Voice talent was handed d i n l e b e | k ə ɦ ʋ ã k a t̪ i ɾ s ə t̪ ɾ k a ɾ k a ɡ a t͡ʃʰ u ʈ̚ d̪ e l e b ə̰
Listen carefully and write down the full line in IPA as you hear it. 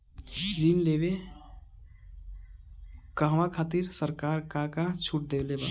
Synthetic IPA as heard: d i n l e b e | k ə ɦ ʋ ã kʰ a t̪ i ɾ s ə ɾ k a ɾ k a k a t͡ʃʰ u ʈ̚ d̪ e l e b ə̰